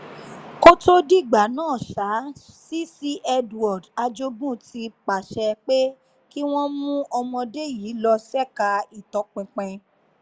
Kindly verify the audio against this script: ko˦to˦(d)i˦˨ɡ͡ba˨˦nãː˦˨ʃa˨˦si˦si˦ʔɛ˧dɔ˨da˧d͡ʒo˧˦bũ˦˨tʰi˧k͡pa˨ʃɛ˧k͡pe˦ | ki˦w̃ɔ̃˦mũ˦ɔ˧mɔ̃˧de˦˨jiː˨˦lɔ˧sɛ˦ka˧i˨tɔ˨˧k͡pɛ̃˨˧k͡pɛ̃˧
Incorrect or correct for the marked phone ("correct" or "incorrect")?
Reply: correct